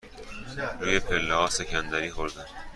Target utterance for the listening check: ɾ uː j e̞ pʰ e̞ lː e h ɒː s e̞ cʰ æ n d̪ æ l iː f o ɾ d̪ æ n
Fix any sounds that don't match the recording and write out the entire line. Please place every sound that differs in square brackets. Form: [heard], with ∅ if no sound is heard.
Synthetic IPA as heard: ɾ uː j e̞ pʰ e̞ lː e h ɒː s e̞ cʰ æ n d̪ æ [ɾ] iː [x] o ɾ d̪ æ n